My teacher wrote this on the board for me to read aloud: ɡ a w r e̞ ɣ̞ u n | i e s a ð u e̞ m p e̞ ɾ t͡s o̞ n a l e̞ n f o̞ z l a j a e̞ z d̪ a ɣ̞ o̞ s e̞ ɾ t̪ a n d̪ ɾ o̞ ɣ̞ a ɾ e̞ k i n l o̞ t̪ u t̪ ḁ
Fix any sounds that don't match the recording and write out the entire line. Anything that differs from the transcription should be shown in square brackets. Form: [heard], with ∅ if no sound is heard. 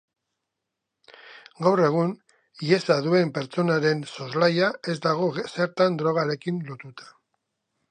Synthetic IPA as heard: ɡ a w r e̞ ɣ̞ u n | i e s a ð u e̞ m p e̞ ɾ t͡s o̞ n a [ɾ] e̞ n [s] o̞ z l a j a e̞ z d̪ a ɣ̞ o̞ s e̞ ɾ t̪ a n d̪ ɾ o̞ ɣ̞ a ɾ e̞ k i n l o̞ t̪ u t̪ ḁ

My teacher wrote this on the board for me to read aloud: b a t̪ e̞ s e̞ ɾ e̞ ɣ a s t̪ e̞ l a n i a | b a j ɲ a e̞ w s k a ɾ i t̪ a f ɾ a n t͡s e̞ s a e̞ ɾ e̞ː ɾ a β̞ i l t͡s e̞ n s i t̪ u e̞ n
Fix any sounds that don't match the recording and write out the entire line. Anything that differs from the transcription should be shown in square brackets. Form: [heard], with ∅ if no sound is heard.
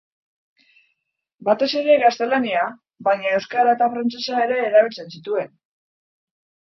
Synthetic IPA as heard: b a t̪ e̞ s e̞ ɾ e̞ ɣ a s t̪ e̞ l a n i a | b a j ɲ a e̞ w s k a ɾ [a] t̪ a f ɾ a n t͡s e̞ s a e̞ ɾ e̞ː ɾ a β̞ i l t͡s e̞ n s i t̪ u e̞ n

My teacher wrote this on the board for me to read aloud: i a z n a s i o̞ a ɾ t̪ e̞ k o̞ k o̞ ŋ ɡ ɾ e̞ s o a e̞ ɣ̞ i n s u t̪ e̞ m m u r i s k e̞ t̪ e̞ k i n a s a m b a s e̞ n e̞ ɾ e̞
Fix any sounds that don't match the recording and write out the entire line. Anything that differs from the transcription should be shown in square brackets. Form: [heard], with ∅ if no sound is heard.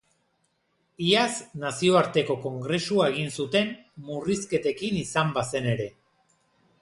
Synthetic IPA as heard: i a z n a s i o̞ a ɾ t̪ e̞ k o̞ k o̞ ŋ ɡ ɾ e̞ s [u] a e̞ ɣ̞ i n s u t̪ e̞ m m u r i s k e̞ t̪ e̞ k i n [i] s a m b a s e̞ n e̞ ɾ e̞

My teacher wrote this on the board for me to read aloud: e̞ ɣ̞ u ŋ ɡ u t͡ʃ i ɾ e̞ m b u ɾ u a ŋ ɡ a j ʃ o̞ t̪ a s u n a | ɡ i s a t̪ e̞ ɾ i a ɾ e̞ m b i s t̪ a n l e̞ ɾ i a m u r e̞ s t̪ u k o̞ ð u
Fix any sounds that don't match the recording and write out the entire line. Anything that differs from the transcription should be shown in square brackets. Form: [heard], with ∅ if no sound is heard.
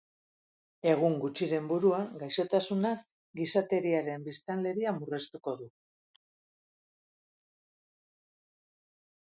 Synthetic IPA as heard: e̞ ɣ̞ u ŋ ɡ u t͡ʃ i ɾ e̞ m b u ɾ u a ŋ ɡ a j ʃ o̞ t̪ a s u n a | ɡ i s a t̪ e̞ ɾ i a ɾ e̞ m b i s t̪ a n l e̞ ɾ i a m u r e̞ s t̪ u k o̞ ð u

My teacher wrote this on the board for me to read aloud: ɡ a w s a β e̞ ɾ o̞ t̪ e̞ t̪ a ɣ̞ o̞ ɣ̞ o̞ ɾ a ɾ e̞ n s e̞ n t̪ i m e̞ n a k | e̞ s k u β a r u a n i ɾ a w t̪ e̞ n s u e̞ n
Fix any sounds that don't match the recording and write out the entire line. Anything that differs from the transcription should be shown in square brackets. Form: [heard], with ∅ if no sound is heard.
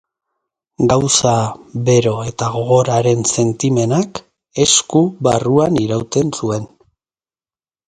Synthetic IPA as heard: ɡ a w s a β e̞ ɾ o̞ [∅] e̞ t̪ a ɣ̞ o̞ ɣ̞ o̞ ɾ a ɾ e̞ n s e̞ n t̪ i m e̞ n a k | e̞ s k u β a r u a n i ɾ a w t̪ e̞ n s u e̞ n

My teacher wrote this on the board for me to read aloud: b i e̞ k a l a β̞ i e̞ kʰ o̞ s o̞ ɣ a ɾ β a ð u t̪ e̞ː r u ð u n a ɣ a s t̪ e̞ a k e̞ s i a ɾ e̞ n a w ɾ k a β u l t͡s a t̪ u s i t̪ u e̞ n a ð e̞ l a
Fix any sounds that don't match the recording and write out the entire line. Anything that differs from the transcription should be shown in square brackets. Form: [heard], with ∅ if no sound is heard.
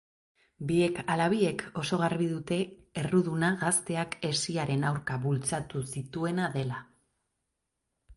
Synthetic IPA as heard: b i e̞ k a l a β̞ i e̞ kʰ o̞ s o̞ ɣ a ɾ β [i] ð u t̪ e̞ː r u ð u n a ɣ a s t̪ e̞ a k e̞ s i a ɾ e̞ n a w ɾ k a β u l t͡s a t̪ u s i t̪ u e̞ n a ð e̞ l a

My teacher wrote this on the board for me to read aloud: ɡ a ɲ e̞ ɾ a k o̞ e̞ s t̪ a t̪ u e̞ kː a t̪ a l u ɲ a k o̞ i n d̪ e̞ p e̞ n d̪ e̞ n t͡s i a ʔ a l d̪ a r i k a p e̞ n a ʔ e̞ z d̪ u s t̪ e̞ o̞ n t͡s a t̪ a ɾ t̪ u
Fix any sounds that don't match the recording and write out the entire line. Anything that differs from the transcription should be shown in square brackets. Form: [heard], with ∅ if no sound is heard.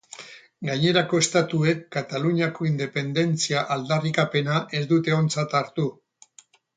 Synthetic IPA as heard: ɡ a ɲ e̞ ɾ a k o̞ e̞ s t̪ a t̪ u e̞ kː a t̪ a l u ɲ a k o̞ i n d̪ e̞ p e̞ n d̪ e̞ n t͡s i a ʔ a l d̪ a r i k a p e̞ n a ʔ e̞ z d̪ u [∅] t̪ e̞ o̞ n t͡s a t̪ a ɾ t̪ u

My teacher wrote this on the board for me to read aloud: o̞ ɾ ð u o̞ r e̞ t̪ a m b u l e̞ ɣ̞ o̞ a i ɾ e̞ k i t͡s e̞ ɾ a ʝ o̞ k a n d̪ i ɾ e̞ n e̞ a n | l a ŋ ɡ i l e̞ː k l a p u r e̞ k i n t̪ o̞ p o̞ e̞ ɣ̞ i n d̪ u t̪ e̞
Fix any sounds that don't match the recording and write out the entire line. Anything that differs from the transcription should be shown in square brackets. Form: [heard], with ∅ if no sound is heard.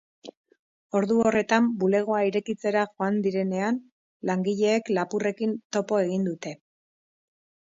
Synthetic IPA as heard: o̞ ɾ ð u o̞ r e̞ t̪ a m b u l e̞ ɣ̞ o̞ a i ɾ e̞ k i t͡s e̞ ɾ a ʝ o̞ [∅] a n d̪ i ɾ e̞ n e̞ a n | l a ŋ ɡ i [ʎ] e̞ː k l a p u r e̞ k i n t̪ o̞ p o̞ e̞ ɣ̞ i n d̪ u t̪ e̞

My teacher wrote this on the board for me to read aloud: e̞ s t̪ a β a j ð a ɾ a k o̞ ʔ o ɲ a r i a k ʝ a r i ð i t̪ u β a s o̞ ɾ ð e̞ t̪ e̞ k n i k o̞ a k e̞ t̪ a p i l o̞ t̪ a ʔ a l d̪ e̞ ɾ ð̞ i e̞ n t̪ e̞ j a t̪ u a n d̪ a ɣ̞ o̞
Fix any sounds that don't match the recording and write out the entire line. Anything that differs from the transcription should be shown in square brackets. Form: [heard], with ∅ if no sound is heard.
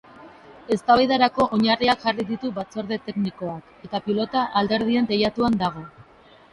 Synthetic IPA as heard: e̞ s t̪ a β a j ð a ɾ a k o̞ ʔ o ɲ a r i a k ʝ a r i ð i t̪ u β a [t͡s] o̞ ɾ ð e̞ t̪ e̞ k n i k o̞ a k e̞ t̪ a p i l o̞ t̪ a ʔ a l d̪ e̞ ɾ ð̞ i e̞ n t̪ e̞ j a t̪ u a n d̪ a ɣ̞ o̞

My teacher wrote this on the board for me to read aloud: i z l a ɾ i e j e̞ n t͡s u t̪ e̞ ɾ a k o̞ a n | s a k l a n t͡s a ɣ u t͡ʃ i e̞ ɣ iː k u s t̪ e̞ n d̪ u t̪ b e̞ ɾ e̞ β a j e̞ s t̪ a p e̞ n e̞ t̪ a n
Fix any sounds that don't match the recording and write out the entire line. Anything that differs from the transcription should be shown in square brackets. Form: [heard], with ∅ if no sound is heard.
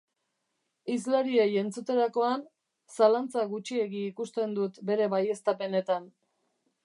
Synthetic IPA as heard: i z l a ɾ i e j e̞ n t͡s u t̪ e̞ ɾ a k o̞ a n | s a [∅] l a n t͡s a ɣ u t͡ʃ i e̞ ɣ iː k u s t̪ e̞ n d̪ u t̪ b e̞ ɾ e̞ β a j e̞ s t̪ a p e̞ n e̞ t̪ a n

